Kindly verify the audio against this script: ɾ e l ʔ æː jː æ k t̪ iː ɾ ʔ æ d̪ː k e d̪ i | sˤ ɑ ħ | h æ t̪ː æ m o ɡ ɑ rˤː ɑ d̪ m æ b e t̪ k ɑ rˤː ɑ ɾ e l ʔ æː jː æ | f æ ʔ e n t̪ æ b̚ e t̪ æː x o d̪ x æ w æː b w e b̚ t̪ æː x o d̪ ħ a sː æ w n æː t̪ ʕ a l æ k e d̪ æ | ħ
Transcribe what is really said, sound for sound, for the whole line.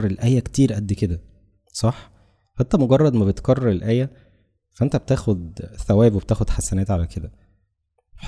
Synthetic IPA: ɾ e l ʔ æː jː æ k t̪ iː ɾ ʔ æ d̪ː k e d̪ æ | sˤ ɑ ħ | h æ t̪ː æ m o ɡ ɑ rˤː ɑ d̪ m æ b e t̪ k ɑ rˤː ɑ ɾ e l ʔ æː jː æ | f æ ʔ e n t̪ æ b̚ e t̪ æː x o d̪ θ æ w æː b w e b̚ t̪ æː x o d̪ ħ a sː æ n æː t̪ ʕ a l æ k e d̪ æ | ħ